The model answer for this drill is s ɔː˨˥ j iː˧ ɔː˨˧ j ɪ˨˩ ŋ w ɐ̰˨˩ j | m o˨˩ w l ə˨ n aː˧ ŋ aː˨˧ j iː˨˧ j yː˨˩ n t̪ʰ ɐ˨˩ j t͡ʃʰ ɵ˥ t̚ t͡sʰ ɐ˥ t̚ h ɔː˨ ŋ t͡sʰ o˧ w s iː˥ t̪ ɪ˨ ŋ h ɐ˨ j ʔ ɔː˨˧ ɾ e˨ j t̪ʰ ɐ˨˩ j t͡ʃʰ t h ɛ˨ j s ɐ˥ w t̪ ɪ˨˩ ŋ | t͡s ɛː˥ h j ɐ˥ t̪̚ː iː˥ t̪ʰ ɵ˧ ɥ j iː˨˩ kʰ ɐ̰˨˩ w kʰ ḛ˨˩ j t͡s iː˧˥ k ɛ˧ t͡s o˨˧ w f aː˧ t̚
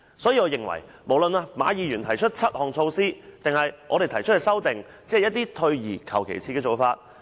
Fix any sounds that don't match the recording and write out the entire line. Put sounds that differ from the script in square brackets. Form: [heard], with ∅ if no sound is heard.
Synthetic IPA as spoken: s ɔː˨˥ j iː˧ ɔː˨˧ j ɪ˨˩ ŋ w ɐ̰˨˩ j | m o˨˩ w l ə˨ n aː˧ [m] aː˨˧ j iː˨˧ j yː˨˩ n t̪ʰ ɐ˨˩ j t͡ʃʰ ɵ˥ t̚ t͡sʰ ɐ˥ t̚ h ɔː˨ ŋ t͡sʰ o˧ w s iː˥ t̪ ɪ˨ ŋ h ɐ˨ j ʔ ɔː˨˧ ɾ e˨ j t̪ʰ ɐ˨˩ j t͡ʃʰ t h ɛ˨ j s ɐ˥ w t̪ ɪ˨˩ ŋ | t͡s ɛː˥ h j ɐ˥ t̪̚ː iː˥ t̪ʰ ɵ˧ ɥ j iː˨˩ kʰ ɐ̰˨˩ w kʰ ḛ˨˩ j [t͡sʰ] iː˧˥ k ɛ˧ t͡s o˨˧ w f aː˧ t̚